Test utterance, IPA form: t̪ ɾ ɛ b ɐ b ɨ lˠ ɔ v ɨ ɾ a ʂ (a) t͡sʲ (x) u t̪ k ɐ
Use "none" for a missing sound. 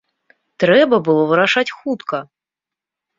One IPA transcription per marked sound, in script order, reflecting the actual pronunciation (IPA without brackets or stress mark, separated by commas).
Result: a, x